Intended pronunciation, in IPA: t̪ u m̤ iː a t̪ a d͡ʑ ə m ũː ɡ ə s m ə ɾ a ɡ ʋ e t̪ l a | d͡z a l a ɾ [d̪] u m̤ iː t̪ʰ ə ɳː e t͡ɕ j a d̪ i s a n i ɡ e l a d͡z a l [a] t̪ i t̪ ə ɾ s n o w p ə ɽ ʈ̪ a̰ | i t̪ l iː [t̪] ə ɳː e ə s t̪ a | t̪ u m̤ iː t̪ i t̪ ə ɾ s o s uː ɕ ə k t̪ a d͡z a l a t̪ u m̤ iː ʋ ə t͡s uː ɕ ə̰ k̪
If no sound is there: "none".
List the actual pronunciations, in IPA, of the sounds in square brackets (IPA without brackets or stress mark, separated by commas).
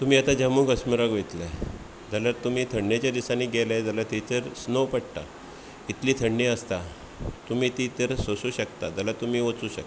t̪, a, t̪ʰ